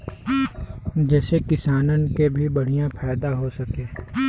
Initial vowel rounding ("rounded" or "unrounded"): unrounded